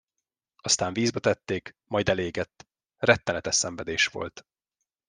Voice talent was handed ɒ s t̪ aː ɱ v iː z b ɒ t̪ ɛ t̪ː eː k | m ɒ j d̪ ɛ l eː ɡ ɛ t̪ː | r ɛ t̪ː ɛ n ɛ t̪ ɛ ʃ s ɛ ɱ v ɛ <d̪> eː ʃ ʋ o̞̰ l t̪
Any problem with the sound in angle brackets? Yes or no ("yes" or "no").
no